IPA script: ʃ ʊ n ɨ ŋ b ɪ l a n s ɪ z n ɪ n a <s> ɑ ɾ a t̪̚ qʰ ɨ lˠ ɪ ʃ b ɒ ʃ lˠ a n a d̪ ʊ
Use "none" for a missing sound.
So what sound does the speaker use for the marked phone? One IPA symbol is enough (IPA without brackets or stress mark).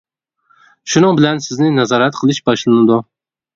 z